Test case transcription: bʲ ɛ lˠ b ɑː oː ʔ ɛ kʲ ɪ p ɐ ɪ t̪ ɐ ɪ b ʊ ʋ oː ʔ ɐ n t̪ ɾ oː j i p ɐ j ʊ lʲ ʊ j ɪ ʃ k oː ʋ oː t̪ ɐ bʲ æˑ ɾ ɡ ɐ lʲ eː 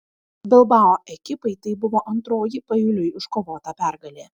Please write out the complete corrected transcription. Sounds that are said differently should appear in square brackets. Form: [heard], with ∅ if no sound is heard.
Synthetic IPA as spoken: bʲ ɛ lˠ b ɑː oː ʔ ɛ kʲ ɪ p ɐ ɪ t̪ ɐ ɪ b ʊ ʋ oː ʔ ɐ n t̪ ɾ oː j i p ɐ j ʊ lʲ ʊ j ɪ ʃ k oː ʋ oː t̪ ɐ [pʲ] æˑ ɾ ɡ ɐ lʲ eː